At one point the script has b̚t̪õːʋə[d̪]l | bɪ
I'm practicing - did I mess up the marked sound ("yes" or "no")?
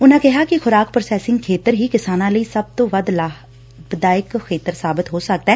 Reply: no